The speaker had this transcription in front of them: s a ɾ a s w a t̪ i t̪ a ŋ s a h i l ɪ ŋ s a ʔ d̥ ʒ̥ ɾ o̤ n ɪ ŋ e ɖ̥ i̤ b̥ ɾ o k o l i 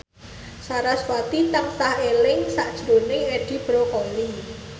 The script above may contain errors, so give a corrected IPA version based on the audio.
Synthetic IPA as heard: s a ɾ a s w a t̪ i t̪ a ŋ s a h e l ɪ ŋ s a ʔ d̥ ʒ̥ ɾ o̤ n ɪ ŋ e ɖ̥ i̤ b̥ ɾ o k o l i